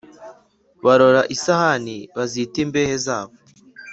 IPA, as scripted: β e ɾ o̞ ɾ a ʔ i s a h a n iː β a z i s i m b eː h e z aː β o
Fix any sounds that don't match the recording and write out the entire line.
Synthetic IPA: β a ɾ o̞ ɾ a ʔ i s a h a n i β a z i t i m b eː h e z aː β o